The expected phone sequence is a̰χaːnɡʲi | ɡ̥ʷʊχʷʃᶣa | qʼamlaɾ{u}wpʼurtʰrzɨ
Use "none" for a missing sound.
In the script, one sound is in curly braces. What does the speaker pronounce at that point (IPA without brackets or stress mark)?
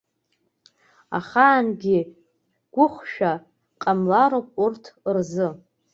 o